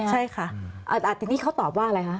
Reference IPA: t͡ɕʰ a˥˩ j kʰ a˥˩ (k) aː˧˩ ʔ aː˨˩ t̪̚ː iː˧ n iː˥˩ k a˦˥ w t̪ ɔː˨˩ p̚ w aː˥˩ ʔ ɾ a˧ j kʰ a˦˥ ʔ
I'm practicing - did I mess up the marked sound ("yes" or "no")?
yes